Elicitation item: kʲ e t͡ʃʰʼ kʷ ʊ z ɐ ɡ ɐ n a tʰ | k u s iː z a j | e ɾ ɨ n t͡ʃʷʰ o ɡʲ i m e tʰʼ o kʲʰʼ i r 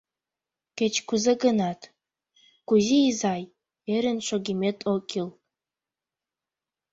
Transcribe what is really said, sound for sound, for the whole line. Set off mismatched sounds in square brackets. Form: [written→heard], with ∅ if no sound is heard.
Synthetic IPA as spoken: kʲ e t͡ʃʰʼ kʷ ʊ z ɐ ɡ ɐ n a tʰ | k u [s→z] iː z a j | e ɾ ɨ n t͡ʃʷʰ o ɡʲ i m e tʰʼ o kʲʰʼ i [r→l]